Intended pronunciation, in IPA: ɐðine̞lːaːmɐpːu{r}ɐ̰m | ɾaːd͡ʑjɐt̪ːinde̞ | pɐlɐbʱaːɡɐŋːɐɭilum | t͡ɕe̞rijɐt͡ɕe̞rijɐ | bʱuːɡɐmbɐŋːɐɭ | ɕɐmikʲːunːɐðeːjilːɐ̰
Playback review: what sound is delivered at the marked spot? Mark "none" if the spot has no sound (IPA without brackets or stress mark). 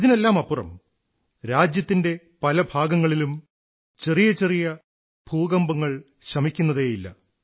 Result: r